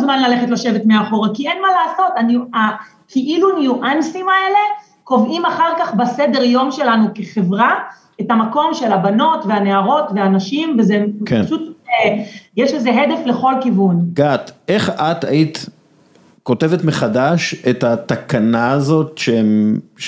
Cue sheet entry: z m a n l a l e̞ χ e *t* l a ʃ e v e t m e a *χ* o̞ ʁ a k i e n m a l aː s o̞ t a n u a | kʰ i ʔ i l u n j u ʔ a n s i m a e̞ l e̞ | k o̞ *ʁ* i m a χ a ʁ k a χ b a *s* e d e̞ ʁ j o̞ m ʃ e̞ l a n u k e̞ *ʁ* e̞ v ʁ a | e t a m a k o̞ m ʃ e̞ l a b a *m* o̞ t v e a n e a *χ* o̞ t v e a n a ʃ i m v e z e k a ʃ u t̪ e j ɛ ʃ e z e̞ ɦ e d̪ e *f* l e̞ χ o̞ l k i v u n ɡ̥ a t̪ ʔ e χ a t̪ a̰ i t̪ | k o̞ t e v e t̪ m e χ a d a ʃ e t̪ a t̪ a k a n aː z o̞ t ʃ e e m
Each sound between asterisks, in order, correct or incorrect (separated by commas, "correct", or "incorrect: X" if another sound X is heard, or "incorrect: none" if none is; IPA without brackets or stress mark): correct, correct, incorrect: v, correct, incorrect: χ, incorrect: n, incorrect: ʁ, correct